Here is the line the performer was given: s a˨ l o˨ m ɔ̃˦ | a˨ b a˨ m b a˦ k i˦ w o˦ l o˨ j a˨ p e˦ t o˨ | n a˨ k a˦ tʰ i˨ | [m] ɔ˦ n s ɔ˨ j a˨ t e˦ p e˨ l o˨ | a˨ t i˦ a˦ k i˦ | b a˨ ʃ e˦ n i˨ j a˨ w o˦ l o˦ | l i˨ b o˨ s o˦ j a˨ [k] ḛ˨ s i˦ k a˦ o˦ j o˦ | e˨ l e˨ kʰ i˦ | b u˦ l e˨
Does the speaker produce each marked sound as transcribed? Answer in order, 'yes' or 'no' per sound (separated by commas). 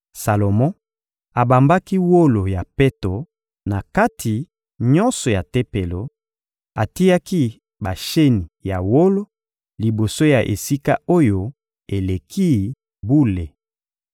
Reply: no, no